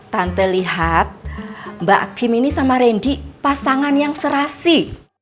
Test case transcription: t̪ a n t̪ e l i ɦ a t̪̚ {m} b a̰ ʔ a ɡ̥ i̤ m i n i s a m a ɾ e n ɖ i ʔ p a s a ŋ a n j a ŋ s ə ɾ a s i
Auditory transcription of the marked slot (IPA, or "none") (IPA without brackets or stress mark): m